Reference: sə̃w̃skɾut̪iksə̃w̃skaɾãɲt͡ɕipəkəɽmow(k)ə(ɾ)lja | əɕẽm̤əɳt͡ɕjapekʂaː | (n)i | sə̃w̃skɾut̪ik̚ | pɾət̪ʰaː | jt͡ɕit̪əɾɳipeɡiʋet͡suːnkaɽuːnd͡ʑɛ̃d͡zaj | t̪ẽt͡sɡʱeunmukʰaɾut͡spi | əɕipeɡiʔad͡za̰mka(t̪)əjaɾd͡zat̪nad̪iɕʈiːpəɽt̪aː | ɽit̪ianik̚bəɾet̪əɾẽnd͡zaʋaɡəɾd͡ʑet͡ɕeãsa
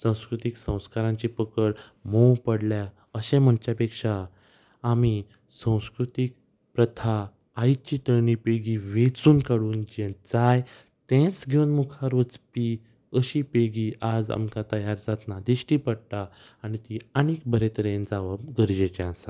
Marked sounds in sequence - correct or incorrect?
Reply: incorrect, incorrect, incorrect, correct

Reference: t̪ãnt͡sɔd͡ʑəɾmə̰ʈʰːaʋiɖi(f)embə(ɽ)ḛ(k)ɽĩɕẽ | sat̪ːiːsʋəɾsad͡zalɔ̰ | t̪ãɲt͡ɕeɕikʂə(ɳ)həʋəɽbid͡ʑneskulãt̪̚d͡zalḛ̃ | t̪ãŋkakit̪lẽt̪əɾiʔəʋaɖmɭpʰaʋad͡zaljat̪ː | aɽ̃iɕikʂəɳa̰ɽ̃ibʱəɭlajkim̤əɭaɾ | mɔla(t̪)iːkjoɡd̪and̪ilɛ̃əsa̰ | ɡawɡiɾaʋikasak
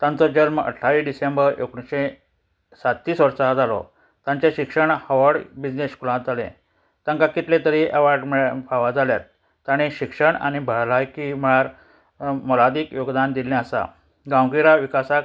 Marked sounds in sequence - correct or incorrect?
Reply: incorrect, incorrect, correct, correct, incorrect

